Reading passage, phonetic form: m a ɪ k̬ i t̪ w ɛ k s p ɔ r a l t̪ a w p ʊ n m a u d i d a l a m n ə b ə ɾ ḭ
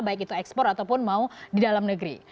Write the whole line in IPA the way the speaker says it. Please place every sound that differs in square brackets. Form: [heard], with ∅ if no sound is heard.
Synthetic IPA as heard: [b] a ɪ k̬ i t̪ [u] ɛ k s p ɔ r a [∅] t̪ a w p ʊ n m a u d i d a l a m n ə [ɡ] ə ɾ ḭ